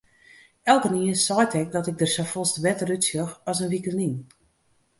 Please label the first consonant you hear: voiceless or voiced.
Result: voiced